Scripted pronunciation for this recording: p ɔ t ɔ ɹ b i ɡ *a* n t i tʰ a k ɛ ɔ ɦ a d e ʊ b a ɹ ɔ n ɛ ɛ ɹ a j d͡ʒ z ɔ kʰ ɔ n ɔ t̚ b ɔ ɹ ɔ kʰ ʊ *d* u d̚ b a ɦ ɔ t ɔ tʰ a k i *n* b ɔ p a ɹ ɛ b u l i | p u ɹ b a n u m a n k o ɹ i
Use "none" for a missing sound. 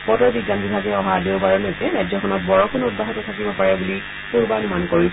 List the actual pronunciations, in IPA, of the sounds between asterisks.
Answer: a, n, none

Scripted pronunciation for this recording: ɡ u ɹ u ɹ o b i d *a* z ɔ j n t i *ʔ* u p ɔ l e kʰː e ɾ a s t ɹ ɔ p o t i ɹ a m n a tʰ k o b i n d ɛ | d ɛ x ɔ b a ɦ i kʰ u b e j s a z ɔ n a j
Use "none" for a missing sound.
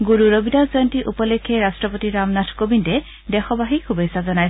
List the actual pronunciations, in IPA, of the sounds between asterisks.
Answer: a, ʔ

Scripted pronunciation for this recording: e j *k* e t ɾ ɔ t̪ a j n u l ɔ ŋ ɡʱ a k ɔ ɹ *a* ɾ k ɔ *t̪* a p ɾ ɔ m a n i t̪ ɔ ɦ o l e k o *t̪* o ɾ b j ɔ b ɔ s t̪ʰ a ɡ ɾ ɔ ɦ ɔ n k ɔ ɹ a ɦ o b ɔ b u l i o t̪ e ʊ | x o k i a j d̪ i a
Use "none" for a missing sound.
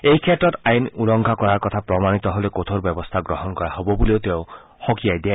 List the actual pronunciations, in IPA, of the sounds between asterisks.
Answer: kʰ, a, t̪ʰ, t̪ʰ

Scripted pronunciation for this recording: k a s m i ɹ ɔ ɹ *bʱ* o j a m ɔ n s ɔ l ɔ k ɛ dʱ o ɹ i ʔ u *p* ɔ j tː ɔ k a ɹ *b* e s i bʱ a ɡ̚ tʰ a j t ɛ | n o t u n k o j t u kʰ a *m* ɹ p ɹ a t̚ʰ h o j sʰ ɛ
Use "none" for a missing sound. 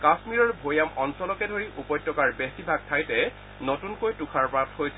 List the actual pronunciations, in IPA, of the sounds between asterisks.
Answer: bʱ, p, b, none

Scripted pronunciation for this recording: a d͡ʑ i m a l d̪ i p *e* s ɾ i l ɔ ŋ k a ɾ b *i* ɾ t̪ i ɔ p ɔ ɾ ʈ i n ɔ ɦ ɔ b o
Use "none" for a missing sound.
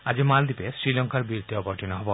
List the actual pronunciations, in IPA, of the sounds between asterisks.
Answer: e, i

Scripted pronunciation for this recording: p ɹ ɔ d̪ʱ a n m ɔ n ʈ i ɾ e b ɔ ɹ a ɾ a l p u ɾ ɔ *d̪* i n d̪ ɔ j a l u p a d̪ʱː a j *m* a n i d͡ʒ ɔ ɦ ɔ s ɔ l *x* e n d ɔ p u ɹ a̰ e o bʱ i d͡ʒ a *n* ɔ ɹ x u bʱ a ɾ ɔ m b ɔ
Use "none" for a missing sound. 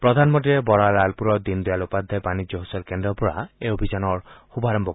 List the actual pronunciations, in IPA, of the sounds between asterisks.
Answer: d̪, b, k, n

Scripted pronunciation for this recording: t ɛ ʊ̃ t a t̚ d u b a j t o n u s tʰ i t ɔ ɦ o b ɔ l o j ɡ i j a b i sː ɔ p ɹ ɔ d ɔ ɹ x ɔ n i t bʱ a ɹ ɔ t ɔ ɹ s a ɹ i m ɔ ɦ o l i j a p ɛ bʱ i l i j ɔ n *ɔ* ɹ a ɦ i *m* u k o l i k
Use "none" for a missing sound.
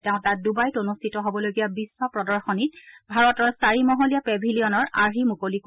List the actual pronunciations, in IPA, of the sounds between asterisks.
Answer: ɔ, m

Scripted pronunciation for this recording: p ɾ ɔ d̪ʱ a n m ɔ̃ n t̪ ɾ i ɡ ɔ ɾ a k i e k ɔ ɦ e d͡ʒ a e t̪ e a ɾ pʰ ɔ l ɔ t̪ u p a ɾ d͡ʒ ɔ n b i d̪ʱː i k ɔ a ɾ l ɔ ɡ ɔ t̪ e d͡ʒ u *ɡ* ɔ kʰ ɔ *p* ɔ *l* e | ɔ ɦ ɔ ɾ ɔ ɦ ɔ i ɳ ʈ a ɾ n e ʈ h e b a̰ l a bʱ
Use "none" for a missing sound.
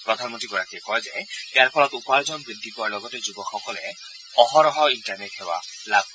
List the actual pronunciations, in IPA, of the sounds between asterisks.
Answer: b, k, l

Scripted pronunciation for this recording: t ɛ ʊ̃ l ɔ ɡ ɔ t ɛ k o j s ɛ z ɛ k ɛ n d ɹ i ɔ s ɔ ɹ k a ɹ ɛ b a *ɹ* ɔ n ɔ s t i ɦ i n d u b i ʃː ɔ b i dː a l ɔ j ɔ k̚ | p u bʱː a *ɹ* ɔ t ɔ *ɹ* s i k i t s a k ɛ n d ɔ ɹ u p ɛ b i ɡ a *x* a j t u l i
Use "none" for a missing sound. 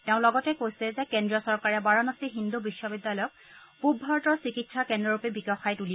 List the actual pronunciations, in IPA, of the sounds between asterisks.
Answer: ɹ, ɹ, ɹ, x

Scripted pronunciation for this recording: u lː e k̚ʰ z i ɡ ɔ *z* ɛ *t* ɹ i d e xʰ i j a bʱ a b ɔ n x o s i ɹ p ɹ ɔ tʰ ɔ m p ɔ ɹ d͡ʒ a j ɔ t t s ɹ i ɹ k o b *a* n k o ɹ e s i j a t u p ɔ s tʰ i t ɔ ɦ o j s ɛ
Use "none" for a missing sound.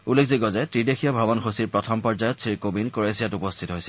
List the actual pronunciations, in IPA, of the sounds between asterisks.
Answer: z, t, i

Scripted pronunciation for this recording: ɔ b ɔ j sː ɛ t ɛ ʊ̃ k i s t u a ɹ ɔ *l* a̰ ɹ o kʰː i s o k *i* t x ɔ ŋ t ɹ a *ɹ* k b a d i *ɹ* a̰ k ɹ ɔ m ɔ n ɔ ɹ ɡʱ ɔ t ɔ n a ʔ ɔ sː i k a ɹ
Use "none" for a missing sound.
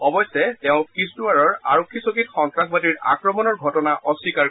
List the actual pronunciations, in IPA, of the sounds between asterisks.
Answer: ɹ, i, none, ɹ

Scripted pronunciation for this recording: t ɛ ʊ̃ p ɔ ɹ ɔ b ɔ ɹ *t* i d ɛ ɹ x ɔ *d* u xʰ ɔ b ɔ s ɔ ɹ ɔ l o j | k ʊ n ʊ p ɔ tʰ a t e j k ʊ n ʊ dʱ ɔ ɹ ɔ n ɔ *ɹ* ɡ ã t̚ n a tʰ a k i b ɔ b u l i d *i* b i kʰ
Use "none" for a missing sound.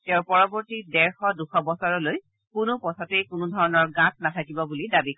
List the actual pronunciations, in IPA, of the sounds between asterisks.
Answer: t, d, ɹ, a

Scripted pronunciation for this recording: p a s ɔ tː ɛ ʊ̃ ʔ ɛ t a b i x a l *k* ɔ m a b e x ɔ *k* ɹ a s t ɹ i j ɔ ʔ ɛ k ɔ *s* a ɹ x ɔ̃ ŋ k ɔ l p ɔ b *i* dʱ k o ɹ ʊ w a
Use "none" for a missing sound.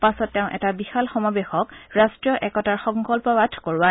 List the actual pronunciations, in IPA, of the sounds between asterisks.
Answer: x, k, t, a

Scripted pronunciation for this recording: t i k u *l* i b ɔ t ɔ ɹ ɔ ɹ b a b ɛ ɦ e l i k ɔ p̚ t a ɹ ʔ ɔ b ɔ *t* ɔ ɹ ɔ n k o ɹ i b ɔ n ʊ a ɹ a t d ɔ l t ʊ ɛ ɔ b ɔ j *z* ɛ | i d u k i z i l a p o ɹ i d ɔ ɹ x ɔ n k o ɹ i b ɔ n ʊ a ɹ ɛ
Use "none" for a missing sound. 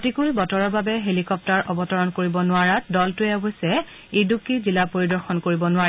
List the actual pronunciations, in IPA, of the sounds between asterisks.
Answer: ɹ, t, s

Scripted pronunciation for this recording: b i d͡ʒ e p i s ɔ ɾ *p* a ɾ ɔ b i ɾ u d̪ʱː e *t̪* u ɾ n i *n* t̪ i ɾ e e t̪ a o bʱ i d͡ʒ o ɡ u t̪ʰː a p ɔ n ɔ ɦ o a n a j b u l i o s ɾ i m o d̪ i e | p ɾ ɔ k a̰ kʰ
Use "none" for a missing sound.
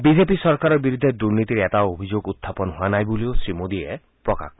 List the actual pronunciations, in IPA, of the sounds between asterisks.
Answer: k, d̪, none

